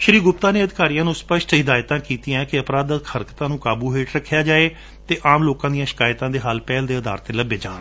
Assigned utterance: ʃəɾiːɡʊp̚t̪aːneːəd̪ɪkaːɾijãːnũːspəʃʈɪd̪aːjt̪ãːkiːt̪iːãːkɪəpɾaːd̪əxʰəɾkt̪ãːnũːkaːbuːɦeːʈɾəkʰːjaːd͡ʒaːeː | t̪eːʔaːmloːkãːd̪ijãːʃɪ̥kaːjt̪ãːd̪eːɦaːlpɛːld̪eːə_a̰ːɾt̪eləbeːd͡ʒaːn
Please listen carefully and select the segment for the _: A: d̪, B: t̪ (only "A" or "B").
A